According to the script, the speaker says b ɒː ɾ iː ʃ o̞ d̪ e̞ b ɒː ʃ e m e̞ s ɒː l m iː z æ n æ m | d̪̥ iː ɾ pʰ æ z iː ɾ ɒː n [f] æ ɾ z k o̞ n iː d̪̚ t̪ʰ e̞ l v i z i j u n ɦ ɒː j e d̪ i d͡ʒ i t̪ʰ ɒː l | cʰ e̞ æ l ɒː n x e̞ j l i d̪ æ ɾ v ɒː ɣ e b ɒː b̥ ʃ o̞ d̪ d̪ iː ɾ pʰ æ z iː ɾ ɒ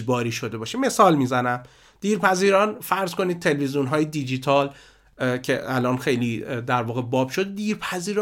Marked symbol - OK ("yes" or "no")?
yes